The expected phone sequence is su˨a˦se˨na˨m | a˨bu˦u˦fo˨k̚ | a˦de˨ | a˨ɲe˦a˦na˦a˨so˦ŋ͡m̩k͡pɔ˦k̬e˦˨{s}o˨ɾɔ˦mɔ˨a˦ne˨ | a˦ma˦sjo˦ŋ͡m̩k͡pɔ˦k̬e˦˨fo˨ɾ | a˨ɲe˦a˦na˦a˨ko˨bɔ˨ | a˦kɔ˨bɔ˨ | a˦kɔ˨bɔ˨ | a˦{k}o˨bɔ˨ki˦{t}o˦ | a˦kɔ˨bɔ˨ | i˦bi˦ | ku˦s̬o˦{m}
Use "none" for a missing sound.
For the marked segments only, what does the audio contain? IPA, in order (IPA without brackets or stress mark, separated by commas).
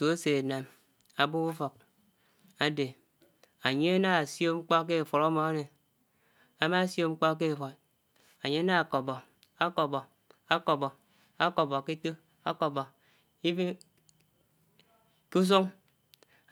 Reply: f, k, t, ŋ